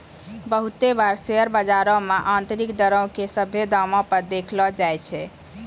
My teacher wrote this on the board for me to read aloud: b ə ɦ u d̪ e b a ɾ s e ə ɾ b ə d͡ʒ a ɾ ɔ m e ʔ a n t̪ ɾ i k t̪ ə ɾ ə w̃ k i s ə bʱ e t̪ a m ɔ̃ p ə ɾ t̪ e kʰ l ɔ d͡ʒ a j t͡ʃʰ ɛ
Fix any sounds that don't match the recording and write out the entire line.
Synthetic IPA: b ə ɦ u t̪ e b a ɾ s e ə ɾ b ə d͡ʒ a ɾ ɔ m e ʔ a n t̪ ɾ i k d̪ ə ɾ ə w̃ k e s ə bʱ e d̪ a m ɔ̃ p ə ɾ d̪ e kʰ l ɔ d͡ʒ a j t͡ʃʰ ɛ